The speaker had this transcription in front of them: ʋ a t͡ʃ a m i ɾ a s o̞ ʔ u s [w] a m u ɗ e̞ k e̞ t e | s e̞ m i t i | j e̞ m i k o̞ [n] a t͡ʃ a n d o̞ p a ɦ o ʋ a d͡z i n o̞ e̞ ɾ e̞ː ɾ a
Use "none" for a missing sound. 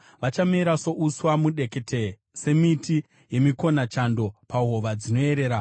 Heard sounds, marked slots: w, n

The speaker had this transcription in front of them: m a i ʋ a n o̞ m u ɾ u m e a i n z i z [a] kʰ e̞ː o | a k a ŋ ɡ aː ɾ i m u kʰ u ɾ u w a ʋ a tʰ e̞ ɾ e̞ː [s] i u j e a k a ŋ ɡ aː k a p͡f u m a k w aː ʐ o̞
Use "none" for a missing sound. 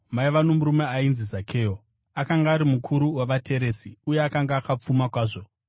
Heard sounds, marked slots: a, s

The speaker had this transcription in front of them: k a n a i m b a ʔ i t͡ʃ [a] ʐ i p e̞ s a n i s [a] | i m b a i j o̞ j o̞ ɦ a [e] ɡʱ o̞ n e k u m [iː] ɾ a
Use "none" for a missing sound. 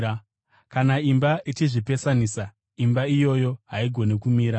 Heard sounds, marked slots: i, a, i, iː

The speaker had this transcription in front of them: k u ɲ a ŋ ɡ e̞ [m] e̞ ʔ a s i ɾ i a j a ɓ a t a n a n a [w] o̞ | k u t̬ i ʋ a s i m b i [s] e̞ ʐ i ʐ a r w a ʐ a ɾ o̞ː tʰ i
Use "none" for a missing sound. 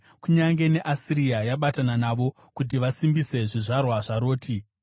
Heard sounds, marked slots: n, ʋ, s

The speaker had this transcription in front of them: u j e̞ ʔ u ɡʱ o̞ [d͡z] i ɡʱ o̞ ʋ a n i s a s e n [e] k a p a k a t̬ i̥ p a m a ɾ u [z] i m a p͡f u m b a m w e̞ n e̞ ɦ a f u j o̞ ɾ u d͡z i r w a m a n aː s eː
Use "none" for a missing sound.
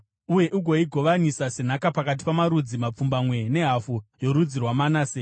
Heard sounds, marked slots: none, a, d͡z

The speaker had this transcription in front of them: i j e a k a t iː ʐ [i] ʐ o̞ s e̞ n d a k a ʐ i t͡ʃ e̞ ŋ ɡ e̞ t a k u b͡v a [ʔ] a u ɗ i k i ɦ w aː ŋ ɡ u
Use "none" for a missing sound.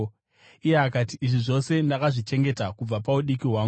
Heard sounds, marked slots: i, p

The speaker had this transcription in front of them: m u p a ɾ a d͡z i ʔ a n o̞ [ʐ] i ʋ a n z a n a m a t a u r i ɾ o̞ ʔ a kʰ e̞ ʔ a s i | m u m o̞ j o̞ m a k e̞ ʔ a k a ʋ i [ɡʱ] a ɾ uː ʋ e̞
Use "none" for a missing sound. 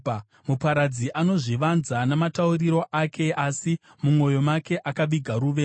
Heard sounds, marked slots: ʐ, ɡʱ

